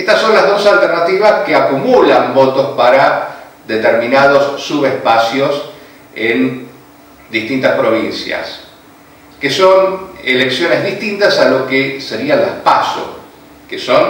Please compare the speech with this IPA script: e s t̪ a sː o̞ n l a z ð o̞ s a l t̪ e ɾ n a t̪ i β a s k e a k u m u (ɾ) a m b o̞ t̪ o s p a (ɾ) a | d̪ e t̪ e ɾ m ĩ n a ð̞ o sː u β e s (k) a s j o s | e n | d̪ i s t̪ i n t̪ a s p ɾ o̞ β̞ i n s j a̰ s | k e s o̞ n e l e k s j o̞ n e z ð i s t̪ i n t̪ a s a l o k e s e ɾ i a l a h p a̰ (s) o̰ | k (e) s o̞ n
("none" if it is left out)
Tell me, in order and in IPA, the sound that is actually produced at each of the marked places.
l, ɾ, p, s, e

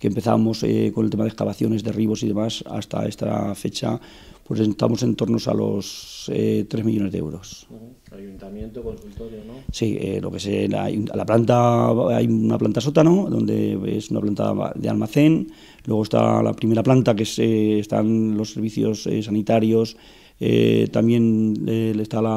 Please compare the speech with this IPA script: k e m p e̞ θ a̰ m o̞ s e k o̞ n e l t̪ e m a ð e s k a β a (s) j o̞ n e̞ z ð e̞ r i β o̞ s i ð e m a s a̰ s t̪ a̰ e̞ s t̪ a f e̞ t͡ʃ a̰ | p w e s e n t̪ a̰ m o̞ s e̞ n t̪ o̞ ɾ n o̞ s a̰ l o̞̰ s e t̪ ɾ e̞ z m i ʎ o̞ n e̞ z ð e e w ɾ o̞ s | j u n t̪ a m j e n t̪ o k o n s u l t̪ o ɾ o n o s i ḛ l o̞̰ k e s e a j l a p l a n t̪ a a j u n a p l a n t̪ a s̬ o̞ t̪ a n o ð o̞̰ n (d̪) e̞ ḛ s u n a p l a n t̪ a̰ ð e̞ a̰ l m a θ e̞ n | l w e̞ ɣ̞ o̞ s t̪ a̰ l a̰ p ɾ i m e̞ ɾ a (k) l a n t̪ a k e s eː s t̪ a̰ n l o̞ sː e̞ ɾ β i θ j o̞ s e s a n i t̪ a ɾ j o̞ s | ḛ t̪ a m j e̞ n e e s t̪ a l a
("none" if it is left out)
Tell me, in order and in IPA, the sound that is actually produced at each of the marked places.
θ, d̪, p

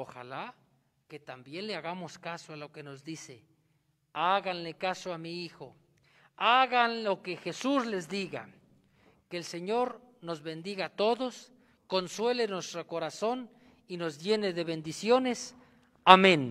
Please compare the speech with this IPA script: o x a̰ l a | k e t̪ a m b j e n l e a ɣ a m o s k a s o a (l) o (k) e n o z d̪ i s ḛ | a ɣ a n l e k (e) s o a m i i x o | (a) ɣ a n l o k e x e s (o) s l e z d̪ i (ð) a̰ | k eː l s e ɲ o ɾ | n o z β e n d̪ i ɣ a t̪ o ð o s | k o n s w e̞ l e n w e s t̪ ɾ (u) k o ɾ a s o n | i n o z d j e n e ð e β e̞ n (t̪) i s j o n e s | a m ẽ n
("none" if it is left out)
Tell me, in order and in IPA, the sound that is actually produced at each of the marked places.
l, k, a, a, u, ɣ, o, d̪

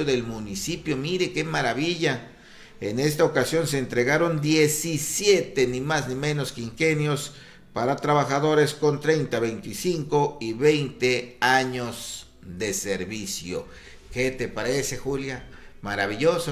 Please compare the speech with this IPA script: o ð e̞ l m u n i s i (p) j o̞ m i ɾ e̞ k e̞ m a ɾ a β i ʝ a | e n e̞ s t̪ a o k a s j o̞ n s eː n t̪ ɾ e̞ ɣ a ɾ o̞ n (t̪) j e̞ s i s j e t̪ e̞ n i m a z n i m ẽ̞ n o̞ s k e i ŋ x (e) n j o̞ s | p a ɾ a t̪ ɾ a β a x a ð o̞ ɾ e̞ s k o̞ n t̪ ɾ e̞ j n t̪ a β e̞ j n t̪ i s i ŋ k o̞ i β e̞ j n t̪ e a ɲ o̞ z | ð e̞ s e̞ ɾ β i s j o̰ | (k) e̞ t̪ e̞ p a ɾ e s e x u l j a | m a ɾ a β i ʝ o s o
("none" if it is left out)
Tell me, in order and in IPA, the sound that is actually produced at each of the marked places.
p, d̪, e, k

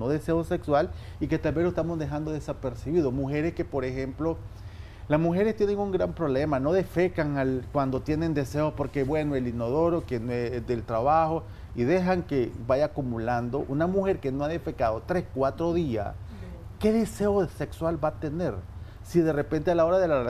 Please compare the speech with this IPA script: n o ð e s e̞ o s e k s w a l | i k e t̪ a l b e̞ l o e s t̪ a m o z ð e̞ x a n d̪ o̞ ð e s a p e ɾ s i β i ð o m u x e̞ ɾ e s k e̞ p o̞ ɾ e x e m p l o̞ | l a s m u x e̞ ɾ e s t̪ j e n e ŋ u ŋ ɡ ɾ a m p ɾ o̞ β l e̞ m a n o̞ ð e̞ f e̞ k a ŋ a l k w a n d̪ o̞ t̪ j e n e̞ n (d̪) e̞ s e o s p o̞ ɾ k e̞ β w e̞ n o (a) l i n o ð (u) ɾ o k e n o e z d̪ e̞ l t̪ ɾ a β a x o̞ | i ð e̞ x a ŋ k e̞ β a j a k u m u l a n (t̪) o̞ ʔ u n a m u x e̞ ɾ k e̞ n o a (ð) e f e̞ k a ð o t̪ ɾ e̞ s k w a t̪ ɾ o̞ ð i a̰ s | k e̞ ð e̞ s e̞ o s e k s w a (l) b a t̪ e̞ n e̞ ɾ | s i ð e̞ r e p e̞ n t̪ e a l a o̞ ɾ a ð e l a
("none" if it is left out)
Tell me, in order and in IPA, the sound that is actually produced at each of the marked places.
d̪, e, o, d̪, ð, l

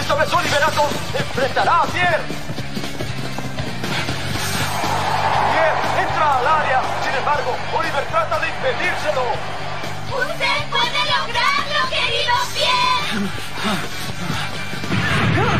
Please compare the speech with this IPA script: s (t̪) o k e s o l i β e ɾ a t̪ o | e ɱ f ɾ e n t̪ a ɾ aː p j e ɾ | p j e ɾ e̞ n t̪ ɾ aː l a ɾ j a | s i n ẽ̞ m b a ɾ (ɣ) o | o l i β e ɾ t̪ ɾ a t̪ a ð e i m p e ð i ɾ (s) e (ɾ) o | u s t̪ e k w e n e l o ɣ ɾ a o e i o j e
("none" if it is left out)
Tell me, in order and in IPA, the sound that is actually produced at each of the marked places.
t̪, ɣ, s, l

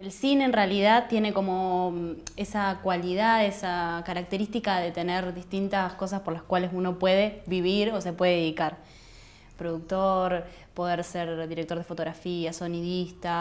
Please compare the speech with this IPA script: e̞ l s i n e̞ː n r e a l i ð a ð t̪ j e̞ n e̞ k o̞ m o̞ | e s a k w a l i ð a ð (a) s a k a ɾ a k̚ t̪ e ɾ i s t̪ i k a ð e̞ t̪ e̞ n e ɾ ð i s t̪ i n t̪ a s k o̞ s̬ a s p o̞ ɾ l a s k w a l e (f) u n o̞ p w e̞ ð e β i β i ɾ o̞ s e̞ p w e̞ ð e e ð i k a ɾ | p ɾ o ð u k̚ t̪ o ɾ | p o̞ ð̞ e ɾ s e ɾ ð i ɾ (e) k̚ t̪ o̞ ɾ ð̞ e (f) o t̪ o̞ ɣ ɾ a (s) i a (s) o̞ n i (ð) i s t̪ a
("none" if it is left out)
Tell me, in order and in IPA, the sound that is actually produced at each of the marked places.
e, s, e, f, f, s, ð

